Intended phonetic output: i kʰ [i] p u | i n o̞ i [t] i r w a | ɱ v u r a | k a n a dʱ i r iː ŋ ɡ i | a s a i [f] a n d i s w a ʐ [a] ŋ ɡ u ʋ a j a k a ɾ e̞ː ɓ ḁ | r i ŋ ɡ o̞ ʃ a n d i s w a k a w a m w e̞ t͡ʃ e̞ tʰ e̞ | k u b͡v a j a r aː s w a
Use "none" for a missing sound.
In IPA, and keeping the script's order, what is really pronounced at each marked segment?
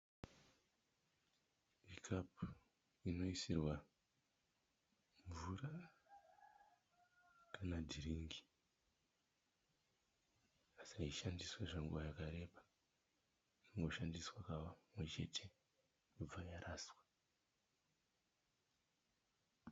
a, s, ʃ, a

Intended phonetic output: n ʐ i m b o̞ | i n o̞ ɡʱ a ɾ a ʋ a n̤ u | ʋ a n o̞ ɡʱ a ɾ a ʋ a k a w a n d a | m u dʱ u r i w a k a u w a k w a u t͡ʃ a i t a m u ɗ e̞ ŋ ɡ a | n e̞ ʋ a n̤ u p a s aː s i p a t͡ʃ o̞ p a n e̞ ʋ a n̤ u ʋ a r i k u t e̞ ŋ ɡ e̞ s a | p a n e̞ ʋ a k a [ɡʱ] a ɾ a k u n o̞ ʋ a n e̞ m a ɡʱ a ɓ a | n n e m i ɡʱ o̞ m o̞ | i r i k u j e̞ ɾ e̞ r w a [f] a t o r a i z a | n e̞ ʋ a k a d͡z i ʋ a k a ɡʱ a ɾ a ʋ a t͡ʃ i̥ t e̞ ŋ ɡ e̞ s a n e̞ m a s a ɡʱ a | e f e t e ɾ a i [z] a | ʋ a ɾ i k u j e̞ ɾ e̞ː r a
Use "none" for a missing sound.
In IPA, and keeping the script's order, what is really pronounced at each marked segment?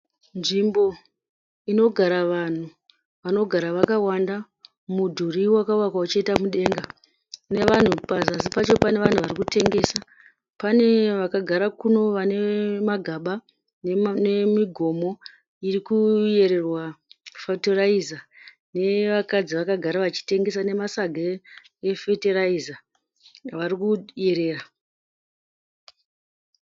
ɡʱ, f, z

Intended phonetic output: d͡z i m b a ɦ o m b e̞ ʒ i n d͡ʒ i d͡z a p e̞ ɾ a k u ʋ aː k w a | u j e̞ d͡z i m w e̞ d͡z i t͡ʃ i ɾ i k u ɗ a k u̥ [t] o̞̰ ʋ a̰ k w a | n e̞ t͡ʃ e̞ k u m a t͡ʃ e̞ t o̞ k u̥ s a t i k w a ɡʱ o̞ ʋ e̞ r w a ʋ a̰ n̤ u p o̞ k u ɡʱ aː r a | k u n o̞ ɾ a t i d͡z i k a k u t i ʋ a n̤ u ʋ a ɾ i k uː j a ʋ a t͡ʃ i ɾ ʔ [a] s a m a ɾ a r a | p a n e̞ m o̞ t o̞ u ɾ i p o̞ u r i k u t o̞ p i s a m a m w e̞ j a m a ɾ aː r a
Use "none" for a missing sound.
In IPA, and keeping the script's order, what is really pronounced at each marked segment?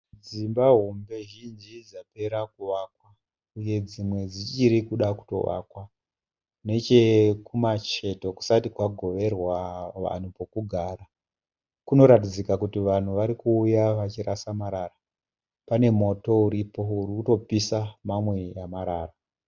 t, a

